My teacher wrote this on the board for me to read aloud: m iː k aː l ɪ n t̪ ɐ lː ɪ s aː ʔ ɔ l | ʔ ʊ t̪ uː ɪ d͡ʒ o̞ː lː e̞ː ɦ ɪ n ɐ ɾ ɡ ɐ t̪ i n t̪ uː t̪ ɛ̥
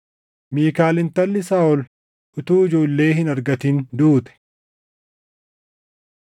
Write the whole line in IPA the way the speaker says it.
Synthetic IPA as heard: m iː k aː l ɪ n t̪ ɐ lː ɪ s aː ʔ ɔ l | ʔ ʊ t̪ uː ɪ d͡ʒ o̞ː lː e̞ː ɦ ɪ n ɐ ɾ ɡ ɐ t̪ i n d̪ uː t̪ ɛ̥

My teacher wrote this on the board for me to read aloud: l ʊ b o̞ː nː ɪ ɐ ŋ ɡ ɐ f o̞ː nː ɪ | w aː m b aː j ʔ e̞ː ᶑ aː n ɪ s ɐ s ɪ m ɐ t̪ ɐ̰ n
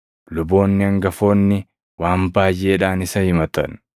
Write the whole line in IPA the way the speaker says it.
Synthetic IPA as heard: l ʊ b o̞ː nː ɪ ɐ ŋ ɡ ɐ f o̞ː nː ɪ | w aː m b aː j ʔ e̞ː ᶑ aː n ɪ s ɐ h ɪ m ɐ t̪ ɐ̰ n

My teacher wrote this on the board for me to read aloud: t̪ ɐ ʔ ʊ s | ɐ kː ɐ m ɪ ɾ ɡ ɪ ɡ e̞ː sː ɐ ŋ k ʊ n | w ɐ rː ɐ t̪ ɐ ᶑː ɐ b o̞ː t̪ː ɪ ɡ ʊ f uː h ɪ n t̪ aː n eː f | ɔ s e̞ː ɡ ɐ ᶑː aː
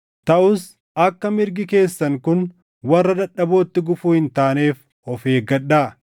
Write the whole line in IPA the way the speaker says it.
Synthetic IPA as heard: t̪ ɐ ʔ ʊ s | ɐ kː ɐ m ɪ ɾ ɡ ɪ k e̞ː sː ɐ ŋ k ʊ n | w ɐ rː ɐ d̪ ɐ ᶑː ɐ b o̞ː t̪ː ɪ ɡ ʊ f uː h ɪ n t̪ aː n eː f | ɔ f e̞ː ɡ ɐ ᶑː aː

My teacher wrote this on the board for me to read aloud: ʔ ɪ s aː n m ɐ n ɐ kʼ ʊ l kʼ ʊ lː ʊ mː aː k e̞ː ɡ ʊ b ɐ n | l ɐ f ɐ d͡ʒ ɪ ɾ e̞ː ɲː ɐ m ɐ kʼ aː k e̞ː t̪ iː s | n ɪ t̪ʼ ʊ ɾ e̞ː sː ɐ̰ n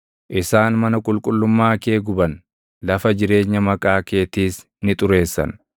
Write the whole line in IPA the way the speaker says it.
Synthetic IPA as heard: ʔ ɪ s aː n m ɐ n ɐ kʼ ʊ l kʼ ʊ lː ʊ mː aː k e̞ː ɡ ʊ b ɐ n | l ɐ f ɐ d͡ʒ ɪ ɾ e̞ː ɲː ɐ m ɐ kʼ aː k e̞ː t̪ iː s | n ɪ t̪ʼ ʊ ɾ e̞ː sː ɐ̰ n

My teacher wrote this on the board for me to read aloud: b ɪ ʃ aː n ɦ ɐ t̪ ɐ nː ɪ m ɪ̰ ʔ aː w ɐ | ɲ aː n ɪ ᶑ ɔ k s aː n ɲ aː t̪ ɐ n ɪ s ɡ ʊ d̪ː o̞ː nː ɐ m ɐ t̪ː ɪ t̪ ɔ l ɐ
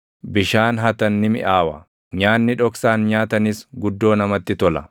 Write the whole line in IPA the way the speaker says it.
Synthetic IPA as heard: b ɪ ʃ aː n ɦ ɐ t̪ ɐ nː ɪ m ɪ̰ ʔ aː w ɐ | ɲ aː nː ɪ ᶑ ɔ k s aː n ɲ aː t̪ ɐ n ɪ s ɡ ʊ d̪ː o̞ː n ɐ m ɐ t̪ː ɪ t̪ ɔ l ɐ

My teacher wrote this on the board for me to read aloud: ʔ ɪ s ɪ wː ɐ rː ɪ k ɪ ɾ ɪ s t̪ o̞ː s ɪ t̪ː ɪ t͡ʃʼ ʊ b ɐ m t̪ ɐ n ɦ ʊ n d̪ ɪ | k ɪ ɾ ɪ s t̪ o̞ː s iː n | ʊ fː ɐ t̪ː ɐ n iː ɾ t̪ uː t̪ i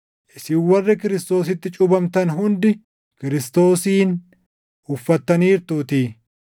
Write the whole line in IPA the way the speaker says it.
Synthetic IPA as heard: ʔ ɪ s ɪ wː ɐ rː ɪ k ɪ ɾ ɪ s t̪ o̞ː s ɪ t̪ː ɪ t͡ʃʼ ʊ b ɐ m t̪ ɐ n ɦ ʊ n d̪ ɪ | k ɪ ɾ ɪ s t̪ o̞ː s iː n | ʊ fː ɐ t̪ː ɐ n iː ɾ t̪ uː t̪ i

